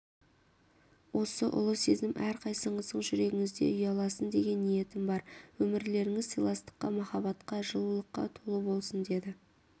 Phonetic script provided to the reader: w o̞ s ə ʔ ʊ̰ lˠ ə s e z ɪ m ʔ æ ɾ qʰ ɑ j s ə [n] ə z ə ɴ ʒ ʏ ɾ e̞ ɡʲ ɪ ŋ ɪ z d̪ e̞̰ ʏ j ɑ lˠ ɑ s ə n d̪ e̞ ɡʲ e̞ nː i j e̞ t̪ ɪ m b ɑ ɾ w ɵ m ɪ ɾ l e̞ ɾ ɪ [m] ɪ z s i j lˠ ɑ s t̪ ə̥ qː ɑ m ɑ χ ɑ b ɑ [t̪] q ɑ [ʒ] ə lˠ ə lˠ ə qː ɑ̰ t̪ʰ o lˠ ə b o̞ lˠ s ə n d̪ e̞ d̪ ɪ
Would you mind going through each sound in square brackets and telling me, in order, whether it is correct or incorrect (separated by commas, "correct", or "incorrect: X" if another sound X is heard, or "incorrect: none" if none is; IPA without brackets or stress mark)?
incorrect: ɴ, incorrect: ŋ, correct, correct